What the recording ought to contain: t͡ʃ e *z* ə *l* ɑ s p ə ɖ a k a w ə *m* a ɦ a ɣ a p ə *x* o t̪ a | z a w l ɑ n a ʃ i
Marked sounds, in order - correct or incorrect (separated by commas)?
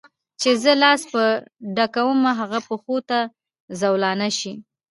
correct, correct, correct, correct